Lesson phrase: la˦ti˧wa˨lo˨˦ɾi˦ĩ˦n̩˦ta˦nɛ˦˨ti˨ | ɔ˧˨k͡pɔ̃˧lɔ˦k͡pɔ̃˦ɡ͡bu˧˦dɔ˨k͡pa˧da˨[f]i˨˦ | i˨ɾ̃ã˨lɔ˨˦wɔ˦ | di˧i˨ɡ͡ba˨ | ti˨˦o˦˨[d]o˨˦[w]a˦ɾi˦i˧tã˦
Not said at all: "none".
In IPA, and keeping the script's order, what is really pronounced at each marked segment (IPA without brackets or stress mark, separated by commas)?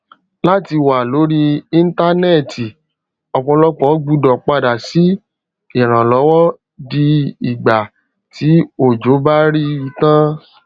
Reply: s, d͡ʒ, b